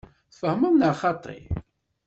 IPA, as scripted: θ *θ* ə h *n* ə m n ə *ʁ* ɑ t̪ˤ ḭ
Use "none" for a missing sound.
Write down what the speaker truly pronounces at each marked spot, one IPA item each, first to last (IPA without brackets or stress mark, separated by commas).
f, m, χ